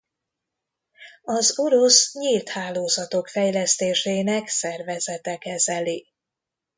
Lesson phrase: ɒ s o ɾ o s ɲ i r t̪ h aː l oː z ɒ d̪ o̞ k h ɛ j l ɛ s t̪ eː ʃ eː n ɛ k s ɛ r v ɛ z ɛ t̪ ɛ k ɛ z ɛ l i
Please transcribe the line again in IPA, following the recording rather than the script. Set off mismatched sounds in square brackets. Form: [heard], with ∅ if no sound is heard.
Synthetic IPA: ɒ [z] o ɾ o s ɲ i [l] t̪ h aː l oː z ɒ [t̪] o̞ k [f] ɛ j l ɛ s t̪ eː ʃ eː n ɛ k s ɛ r v ɛ z ɛ t̪ ɛ k ɛ z ɛ l i